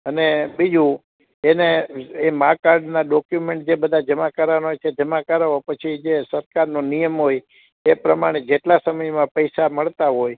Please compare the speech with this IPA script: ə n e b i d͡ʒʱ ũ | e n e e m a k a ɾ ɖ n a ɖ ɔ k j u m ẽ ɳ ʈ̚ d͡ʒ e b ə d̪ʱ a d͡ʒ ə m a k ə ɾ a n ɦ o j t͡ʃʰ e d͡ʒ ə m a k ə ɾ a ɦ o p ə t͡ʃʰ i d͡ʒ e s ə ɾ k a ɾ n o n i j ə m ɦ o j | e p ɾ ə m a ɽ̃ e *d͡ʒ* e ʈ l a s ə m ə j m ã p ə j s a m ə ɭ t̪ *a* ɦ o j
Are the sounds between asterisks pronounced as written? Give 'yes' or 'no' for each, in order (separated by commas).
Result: yes, yes